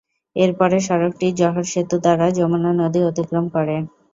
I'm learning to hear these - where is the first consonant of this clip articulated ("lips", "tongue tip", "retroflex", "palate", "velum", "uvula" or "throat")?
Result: tongue tip